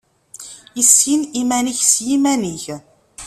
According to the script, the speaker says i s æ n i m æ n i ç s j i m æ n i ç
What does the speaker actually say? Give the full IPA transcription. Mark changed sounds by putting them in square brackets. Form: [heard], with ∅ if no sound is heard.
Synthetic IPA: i s [i] n i m æ n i ç s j i m æ n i ç